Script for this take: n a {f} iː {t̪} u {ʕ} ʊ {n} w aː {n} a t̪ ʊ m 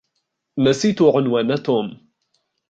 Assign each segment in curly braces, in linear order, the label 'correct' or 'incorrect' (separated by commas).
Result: incorrect, correct, correct, correct, correct